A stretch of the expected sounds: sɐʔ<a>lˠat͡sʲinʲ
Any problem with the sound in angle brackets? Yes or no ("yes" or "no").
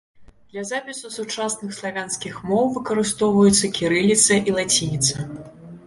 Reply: yes